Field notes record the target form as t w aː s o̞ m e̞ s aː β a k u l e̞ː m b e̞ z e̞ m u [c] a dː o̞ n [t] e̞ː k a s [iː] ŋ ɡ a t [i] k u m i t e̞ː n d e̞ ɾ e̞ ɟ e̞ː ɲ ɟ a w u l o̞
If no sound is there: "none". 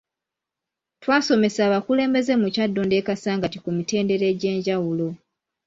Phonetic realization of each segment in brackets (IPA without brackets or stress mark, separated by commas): c, d, aː, i